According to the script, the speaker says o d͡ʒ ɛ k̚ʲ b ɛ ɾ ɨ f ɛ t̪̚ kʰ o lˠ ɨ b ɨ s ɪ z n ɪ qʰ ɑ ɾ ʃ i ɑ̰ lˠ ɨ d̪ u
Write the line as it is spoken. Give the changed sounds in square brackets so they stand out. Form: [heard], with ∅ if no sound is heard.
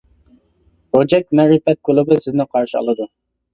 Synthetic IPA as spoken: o d͡ʒ ɛ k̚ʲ [m] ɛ ɾ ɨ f ɛ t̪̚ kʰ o lˠ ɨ b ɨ s ɪ z n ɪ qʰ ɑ ɾ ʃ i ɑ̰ lˠ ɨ d̪ u